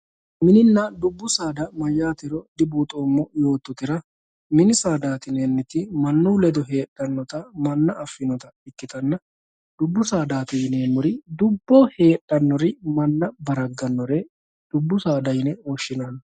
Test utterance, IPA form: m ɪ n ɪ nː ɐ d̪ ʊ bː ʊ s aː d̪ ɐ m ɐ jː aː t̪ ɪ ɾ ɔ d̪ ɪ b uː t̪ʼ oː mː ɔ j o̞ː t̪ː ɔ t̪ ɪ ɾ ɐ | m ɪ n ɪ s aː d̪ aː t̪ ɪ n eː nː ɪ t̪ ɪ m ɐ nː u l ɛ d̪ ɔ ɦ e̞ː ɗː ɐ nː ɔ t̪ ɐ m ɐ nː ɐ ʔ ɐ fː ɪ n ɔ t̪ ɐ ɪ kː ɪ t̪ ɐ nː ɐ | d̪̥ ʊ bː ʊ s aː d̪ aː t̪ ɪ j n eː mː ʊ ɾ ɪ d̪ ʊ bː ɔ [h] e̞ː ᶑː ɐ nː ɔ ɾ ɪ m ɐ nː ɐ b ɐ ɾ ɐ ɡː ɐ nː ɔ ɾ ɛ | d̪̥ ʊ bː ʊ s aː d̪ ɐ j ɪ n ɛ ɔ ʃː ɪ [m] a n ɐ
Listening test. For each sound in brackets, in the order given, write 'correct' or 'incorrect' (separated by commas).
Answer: correct, incorrect